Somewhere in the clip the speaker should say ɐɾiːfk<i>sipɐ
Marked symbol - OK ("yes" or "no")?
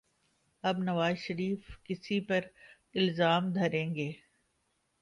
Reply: no